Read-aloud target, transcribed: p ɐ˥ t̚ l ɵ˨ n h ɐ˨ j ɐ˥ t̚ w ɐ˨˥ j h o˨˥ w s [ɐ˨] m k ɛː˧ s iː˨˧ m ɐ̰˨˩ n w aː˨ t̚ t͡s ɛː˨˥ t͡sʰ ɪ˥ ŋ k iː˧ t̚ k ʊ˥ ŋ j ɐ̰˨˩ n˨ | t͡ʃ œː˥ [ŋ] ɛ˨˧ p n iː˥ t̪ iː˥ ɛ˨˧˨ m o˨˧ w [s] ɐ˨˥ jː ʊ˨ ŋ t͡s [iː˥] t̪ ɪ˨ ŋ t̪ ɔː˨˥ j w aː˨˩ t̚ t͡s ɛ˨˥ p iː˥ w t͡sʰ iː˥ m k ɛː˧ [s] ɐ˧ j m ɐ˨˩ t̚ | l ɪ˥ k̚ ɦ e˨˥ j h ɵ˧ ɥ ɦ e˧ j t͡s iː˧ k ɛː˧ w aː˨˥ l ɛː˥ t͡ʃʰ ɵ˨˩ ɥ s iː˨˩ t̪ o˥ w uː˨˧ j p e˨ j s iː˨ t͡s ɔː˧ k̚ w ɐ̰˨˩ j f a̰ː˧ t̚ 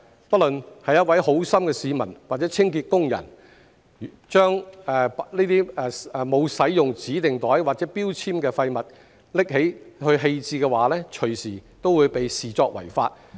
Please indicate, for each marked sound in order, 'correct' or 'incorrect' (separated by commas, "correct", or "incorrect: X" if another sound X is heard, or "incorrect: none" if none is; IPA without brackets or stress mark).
incorrect: ɐ˥, correct, correct, incorrect: iː˨˥, incorrect: f